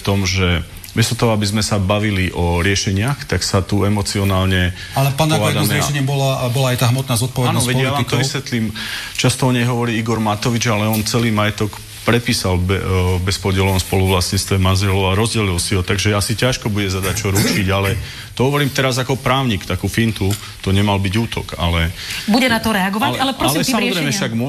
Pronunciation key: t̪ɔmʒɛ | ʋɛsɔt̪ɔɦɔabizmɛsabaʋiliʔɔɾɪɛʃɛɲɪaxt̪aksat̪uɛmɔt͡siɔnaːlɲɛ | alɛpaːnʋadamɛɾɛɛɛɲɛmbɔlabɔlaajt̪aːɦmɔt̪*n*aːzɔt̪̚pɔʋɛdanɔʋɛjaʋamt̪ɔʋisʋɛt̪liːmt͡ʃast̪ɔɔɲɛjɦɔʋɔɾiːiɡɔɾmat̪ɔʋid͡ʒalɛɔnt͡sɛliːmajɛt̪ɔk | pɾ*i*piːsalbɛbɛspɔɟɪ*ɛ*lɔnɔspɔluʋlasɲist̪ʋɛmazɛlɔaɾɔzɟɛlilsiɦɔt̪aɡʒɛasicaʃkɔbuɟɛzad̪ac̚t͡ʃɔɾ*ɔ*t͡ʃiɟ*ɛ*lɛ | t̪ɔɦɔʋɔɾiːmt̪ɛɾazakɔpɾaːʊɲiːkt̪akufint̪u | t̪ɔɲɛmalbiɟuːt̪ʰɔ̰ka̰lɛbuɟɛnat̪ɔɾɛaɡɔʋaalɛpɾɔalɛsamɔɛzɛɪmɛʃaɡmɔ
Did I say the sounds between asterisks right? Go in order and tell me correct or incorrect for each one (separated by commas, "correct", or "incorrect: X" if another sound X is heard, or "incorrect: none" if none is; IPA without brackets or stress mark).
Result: correct, incorrect: ɛ, correct, incorrect: u, incorrect: a